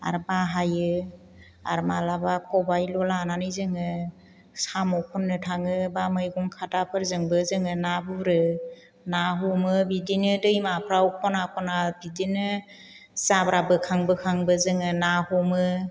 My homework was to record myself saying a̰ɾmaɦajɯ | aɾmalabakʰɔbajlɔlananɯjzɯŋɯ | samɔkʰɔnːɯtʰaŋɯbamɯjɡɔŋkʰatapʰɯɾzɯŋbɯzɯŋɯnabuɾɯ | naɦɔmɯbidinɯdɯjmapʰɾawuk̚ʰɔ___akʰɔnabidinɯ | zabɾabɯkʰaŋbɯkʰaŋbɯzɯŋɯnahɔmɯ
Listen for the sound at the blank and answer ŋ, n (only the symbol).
n